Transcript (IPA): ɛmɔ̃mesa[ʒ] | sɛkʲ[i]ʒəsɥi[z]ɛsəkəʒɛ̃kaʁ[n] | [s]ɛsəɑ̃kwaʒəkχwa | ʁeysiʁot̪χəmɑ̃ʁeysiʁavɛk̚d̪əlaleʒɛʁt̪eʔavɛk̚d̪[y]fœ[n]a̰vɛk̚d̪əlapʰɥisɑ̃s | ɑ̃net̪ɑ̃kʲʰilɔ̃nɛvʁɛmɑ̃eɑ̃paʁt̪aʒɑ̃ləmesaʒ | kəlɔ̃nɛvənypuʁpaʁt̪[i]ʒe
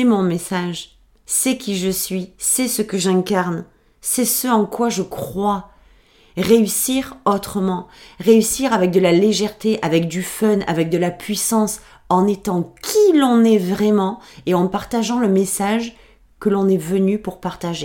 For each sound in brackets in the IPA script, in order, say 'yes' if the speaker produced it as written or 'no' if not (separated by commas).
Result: yes, yes, no, yes, yes, yes, yes, no